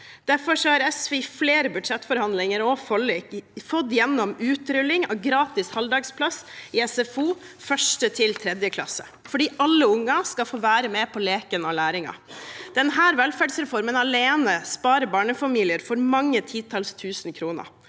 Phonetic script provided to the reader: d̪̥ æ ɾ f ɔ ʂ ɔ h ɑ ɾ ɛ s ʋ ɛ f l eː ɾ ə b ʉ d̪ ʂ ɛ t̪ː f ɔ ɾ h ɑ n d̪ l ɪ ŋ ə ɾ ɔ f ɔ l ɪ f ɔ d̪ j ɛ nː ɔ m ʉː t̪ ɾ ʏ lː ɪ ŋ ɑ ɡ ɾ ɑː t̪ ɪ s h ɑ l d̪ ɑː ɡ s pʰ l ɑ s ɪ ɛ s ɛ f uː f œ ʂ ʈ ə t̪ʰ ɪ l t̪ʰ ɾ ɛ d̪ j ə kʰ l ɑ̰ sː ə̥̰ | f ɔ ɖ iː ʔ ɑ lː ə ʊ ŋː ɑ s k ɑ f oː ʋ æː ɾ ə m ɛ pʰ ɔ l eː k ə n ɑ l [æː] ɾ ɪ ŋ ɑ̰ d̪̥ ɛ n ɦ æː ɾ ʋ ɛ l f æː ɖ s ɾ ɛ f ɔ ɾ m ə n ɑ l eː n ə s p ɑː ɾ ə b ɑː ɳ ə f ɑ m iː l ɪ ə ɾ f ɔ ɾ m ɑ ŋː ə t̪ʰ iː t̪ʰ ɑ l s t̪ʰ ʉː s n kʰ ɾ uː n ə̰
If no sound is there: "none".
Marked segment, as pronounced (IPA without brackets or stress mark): æː